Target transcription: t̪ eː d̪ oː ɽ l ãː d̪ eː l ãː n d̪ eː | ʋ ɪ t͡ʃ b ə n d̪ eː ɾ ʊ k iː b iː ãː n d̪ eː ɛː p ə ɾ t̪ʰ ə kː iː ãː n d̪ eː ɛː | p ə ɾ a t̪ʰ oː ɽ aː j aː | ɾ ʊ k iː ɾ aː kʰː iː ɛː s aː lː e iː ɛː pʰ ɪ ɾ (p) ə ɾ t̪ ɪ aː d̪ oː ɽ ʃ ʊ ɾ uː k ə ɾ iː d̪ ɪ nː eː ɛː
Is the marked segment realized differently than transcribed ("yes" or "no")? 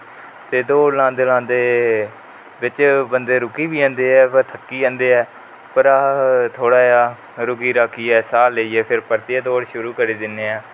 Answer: no